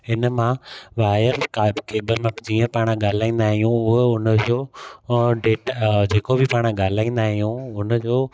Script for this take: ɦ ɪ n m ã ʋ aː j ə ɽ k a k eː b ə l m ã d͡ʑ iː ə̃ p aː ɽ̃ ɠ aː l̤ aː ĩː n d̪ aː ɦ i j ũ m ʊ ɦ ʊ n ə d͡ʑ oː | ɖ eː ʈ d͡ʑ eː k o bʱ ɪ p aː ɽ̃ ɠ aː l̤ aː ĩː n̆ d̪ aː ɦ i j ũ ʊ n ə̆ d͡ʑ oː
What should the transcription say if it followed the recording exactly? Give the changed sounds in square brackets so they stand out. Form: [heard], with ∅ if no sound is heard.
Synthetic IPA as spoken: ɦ ɪ n m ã ʋ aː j ə [ɾ] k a k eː b ə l m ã d͡ʑ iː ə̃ p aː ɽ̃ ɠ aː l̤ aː ĩː n d̪ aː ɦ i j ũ [∅] ʊ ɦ ʊ n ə d͡ʑ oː | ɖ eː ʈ d͡ʑ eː k o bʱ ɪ p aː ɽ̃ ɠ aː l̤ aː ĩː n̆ d̪ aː ɦ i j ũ ʊ n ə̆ d͡ʑ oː